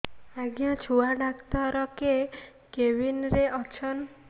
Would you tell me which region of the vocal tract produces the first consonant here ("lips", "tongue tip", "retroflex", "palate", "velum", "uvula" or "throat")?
velum